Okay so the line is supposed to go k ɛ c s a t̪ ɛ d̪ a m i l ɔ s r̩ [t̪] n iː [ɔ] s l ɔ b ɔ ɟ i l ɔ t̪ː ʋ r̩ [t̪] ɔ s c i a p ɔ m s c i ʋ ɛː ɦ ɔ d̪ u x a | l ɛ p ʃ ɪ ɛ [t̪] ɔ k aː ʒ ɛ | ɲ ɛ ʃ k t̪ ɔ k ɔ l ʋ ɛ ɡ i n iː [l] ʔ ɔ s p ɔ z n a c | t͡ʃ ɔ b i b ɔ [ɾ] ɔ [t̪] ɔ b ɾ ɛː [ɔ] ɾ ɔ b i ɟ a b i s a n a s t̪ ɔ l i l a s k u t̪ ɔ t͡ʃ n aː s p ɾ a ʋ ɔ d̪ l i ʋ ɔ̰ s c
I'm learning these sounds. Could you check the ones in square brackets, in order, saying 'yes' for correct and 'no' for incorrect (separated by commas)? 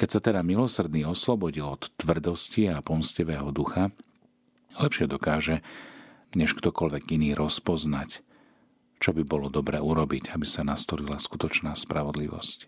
no, yes, no, no, no, no, no, no